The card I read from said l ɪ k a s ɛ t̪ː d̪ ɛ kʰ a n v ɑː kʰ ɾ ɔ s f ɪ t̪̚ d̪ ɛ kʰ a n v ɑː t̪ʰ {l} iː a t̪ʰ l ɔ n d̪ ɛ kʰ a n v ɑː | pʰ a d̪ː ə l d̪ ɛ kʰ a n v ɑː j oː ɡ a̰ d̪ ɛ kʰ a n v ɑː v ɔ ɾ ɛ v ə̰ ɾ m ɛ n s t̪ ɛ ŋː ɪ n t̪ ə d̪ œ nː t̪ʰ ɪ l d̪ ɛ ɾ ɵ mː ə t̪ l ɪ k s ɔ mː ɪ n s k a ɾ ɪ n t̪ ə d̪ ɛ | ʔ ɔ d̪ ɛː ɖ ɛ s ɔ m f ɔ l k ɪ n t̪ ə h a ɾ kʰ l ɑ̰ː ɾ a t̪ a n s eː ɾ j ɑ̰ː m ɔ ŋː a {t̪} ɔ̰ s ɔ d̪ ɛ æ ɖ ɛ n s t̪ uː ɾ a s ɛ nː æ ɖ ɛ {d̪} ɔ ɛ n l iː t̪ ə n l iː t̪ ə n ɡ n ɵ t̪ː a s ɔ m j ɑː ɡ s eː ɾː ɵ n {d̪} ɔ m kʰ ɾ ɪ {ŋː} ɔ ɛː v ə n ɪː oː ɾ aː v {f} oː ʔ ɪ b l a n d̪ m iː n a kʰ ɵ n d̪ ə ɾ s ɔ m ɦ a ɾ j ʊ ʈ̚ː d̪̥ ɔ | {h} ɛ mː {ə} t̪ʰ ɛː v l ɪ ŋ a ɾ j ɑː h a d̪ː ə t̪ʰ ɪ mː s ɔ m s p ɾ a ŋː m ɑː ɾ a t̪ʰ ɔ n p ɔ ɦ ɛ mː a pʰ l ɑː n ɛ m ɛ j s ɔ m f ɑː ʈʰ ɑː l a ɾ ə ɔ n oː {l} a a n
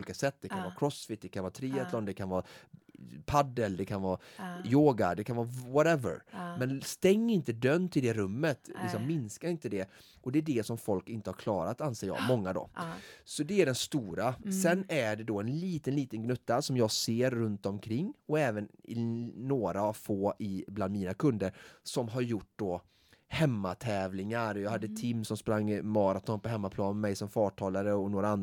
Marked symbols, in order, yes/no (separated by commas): no, no, yes, no, yes, yes, yes, no, no